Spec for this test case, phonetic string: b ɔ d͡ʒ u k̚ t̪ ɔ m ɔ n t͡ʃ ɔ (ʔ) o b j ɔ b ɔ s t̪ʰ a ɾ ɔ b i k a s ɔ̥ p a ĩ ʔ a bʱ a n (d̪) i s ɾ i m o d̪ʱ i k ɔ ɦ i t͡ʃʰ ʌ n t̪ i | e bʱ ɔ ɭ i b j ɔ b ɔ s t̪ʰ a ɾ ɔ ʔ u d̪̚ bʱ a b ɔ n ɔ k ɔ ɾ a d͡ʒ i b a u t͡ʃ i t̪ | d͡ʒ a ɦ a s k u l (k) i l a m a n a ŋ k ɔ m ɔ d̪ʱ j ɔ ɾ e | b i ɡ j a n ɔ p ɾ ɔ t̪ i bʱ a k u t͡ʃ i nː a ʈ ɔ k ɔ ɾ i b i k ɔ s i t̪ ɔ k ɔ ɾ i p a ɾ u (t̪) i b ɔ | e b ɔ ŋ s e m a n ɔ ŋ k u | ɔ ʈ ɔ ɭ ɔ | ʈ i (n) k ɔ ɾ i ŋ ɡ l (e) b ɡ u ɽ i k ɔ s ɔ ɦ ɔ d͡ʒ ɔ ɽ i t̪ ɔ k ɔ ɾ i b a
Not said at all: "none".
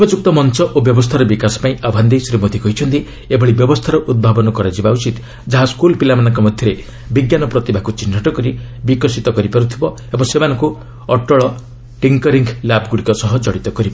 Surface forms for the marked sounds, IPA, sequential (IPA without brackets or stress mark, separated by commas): ʔ, d̪, p, t̪ʰ, ŋ, a